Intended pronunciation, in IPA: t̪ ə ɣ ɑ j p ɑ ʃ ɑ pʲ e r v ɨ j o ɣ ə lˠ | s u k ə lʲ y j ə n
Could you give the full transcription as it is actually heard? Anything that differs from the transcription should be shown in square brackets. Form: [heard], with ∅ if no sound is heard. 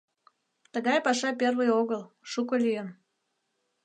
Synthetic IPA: t̪ ə ɣ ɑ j p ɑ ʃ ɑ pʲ e r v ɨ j o ɣ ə lˠ | [ʃ] u k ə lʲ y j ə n